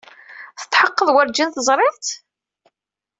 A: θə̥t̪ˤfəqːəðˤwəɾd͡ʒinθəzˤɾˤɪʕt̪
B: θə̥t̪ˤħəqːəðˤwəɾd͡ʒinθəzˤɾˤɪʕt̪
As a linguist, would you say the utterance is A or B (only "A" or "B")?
B